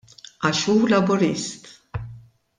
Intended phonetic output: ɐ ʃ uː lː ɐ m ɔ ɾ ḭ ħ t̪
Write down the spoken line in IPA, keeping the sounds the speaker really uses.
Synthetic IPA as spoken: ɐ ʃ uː l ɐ b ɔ ɾ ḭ s t̪